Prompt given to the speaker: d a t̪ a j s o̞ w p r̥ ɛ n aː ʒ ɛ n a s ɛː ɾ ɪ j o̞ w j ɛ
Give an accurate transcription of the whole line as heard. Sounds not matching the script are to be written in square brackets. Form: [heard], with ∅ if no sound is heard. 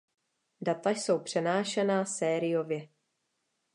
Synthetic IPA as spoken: d a t̪ a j s o̞ w p r̥ ɛ n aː [ʃ] ɛ n a s ɛː ɾ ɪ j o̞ [v] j ɛ